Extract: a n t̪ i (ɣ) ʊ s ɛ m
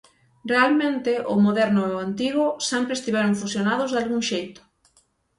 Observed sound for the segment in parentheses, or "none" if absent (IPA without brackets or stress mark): ɣ